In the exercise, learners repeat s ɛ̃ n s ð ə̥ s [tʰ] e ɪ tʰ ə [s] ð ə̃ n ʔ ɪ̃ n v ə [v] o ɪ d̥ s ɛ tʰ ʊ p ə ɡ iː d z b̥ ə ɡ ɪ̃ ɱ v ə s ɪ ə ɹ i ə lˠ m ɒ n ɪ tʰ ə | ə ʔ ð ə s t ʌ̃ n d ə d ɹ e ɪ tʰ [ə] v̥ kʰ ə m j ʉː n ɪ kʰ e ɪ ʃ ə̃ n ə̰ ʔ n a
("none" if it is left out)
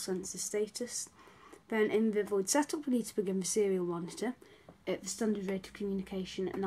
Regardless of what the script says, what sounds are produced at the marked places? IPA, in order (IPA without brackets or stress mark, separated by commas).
t, s, v, ə